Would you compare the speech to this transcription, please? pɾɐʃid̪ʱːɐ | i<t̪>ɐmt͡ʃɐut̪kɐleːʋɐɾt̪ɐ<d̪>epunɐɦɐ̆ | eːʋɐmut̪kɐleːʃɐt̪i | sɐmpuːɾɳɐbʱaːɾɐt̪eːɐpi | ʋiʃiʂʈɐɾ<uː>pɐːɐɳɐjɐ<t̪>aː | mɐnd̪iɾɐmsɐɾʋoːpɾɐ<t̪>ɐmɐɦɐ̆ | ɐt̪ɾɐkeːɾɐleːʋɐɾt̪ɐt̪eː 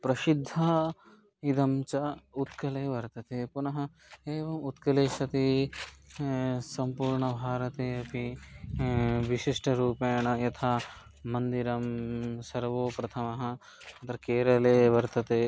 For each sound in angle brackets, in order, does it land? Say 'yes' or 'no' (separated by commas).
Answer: no, no, yes, no, no